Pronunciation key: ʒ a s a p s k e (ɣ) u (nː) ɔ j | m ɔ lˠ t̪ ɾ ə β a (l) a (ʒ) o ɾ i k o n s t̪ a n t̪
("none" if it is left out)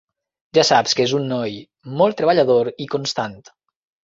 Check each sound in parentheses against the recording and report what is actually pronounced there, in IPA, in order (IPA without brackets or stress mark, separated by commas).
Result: z, nː, ʎ, ð